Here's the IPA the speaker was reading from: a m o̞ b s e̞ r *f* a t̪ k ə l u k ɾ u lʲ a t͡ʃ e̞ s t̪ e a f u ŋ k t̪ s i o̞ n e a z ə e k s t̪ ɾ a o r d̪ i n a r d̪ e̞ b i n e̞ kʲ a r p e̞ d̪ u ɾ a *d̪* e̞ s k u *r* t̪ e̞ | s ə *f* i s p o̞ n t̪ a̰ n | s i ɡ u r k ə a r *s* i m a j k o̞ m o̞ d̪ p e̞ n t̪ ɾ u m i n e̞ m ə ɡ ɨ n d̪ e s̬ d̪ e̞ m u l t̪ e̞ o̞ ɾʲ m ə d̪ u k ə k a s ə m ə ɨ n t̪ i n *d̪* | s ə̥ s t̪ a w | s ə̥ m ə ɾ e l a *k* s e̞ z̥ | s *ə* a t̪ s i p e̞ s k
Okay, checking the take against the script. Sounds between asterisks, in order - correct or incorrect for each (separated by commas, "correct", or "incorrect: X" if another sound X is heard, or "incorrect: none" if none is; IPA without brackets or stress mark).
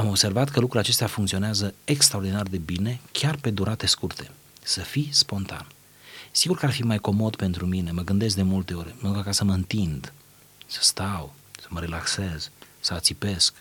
incorrect: v, incorrect: t̪, correct, correct, incorrect: f, correct, correct, correct